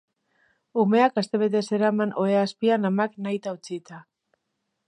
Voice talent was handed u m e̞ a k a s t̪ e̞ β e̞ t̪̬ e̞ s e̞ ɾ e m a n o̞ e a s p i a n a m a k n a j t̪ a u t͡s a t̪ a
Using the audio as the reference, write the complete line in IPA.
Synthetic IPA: u m e̞ a k a s t̪ e̞ β e̞ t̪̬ e̞ s e̞ ɾ a m a n o̞ e a s p i a n a m a k n a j t̪ a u t͡s i t̪ a